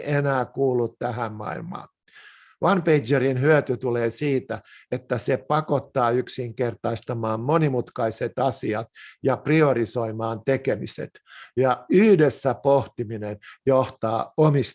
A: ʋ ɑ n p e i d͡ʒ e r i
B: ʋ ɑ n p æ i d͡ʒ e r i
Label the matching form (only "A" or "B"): A